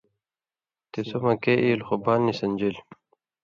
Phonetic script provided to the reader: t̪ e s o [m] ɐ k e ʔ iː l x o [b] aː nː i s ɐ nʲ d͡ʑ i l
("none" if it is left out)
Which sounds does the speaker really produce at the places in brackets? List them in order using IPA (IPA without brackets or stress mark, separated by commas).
m, b